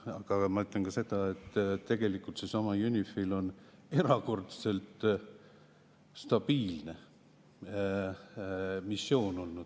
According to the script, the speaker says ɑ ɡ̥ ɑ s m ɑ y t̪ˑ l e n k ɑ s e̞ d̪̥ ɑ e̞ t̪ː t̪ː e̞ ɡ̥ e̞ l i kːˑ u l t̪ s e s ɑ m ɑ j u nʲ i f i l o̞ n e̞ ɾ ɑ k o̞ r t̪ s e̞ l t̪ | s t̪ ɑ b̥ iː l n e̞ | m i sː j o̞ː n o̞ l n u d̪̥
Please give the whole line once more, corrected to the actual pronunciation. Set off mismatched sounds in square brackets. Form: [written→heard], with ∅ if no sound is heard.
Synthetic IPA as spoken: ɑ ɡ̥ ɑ [s→∅] m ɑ y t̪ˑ l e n k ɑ s e̞ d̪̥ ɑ e̞ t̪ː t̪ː e̞ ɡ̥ e̞ l i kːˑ u l t̪ s e s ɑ m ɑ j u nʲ i f i l o̞ n e̞ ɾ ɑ k o̞ r t̪ s e̞ l t̪ | s t̪ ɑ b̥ iː l n e̞ | m i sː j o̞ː n o̞ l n u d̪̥

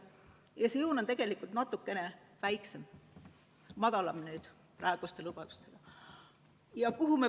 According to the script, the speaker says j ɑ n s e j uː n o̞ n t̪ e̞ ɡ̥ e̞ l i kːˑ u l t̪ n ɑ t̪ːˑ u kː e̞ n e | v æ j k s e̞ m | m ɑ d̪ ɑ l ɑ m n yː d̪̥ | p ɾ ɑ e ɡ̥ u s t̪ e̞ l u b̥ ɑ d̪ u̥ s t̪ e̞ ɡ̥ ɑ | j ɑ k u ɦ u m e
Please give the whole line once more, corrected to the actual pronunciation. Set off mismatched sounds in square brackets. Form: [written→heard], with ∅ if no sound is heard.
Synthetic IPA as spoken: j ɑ [n→∅] s e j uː n o̞ n t̪ e̞ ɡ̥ e̞ l i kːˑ u l t̪ n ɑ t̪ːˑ u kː e̞ n e | v æ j k s e̞ m | m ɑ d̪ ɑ l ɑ m n yː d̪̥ | p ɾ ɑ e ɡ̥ u s t̪ e̞ l u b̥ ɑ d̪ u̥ s t̪ e̞ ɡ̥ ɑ | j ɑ k u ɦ u m e

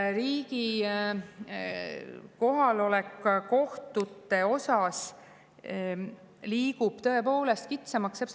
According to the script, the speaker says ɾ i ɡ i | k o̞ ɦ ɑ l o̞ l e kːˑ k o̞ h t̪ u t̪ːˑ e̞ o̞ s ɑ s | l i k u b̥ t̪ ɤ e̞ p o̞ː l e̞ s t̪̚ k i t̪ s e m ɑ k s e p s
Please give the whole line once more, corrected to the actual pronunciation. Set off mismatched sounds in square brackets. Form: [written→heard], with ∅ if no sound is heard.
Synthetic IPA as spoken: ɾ [i→iː] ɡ i | k o̞ ɦ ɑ l o̞ l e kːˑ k o̞ h t̪ u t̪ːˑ e̞ o̞ s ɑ s | l [i→iː] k u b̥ t̪ ɤ e̞ p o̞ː l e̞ s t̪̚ k i t̪ s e m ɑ k s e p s

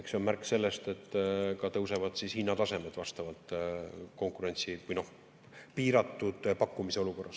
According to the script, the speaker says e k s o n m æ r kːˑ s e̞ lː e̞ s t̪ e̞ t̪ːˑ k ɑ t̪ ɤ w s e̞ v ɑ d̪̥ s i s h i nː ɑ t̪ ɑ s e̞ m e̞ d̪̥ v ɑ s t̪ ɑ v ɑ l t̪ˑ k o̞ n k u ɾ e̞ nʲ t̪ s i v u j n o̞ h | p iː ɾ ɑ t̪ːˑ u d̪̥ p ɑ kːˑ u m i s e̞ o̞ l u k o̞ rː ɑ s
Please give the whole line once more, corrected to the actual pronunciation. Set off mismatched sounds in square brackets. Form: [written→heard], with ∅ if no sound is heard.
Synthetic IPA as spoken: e k s o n m æ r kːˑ s e̞ lː e̞ s t̪ e̞ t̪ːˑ k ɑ t̪ ɤ w s e̞ v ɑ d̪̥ s i s h i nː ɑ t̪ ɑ s e̞ m e̞ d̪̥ v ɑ s t̪ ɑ v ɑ l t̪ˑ k o̞ [n→ŋ] k u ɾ e̞ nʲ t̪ s i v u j n o̞ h | p iː ɾ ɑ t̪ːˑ u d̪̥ p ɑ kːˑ u m i s e̞ o̞ l u k o̞ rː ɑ s

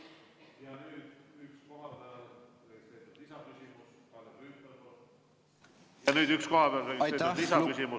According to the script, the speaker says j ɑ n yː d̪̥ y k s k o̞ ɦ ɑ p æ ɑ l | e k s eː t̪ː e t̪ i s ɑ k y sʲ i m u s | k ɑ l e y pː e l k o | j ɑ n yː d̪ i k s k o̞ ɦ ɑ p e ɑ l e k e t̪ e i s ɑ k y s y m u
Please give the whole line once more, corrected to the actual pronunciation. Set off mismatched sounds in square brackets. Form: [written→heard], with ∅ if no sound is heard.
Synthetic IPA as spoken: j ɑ n yː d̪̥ y k s k o̞ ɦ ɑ p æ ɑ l | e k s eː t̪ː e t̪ i s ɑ k y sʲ i m u s | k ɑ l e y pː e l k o | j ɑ n yː d̪ [i→y] k s k o̞ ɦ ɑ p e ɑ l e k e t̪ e i s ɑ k y s [y→i] m u

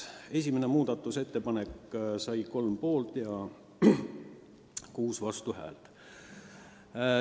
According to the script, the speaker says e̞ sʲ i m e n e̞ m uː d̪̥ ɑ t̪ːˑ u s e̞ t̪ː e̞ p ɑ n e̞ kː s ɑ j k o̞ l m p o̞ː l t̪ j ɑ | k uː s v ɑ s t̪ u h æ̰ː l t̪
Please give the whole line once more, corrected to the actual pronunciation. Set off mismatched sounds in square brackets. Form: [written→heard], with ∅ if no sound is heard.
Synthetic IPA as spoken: e̞ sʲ i m e n e̞ m uː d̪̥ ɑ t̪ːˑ u s e̞ t̪ː e̞ p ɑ n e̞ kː s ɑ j k o̞ l m p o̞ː l t̪ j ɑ | k uː s v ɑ s t̪ u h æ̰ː l t̪

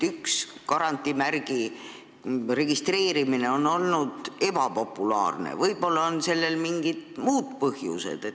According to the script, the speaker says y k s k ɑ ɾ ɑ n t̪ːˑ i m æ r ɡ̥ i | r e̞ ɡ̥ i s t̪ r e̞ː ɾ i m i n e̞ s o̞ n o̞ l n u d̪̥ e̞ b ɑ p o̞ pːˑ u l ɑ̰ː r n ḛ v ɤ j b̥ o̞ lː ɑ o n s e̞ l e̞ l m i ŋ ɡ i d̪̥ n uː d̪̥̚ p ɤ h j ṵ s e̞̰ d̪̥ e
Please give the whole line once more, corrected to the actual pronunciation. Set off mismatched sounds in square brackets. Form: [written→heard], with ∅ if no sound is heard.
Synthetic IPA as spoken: y k s k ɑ ɾ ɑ n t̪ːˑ i m æ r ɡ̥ i | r e̞ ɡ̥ i s t̪ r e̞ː ɾ i m i n e̞ [s→∅] o̞ n o̞ l n u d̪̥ e̞ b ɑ p o̞ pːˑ u l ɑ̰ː r n ḛ v ɤ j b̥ o̞ lː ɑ o n s e̞ [l→lː] e̞ l m i ŋ ɡ i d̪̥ [n→m] uː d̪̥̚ p ɤ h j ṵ s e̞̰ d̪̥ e

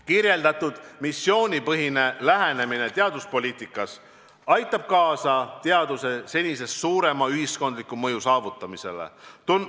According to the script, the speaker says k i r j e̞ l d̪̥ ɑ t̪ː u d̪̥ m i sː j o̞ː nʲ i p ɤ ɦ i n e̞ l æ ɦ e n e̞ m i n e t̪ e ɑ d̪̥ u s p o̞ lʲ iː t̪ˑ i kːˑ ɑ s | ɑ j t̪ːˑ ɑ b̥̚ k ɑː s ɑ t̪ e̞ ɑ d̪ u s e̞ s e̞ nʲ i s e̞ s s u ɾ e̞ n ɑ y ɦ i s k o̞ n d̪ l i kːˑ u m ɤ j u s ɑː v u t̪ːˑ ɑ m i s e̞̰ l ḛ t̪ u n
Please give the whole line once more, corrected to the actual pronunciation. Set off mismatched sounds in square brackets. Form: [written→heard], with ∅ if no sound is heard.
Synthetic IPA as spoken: k i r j e̞ l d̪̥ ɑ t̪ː u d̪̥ m i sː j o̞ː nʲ i p ɤ ɦ i n e̞ l æ ɦ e n e̞ m i n e t̪ e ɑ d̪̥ u s p o̞ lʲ iː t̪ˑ i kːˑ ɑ s | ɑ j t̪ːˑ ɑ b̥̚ k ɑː s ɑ t̪ e̞ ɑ d̪ u s e̞ s e̞ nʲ i s e̞ s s [u→uː] ɾ e̞ [n→m] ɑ y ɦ i s k o̞ n d̪ l i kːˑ u m ɤ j u s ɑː v u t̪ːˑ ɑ m i s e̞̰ l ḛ t̪ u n

